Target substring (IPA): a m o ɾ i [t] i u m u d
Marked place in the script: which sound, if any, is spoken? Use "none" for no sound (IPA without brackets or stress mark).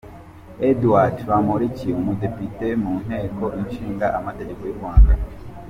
c